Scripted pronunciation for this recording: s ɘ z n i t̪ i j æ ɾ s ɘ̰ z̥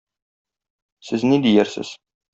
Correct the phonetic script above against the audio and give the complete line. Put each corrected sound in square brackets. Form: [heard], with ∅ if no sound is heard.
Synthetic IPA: s ɘ z n i [d̪] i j æ ɾ s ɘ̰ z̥